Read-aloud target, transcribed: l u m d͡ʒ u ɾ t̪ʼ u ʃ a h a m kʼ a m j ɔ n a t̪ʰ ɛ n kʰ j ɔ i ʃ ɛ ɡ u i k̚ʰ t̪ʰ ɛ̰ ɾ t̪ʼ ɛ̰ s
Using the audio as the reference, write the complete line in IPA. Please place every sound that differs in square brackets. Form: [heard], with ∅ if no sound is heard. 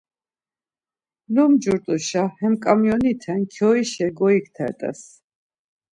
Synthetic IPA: l u m d͡ʒ u ɾ t̪ʼ u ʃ a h [ɛ] m kʼ a m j ɔ n [i] t̪ʰ ɛ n kʰ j ɔ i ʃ ɛ ɡ [ɔ] i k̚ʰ t̪ʰ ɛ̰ ɾ t̪ʼ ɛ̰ s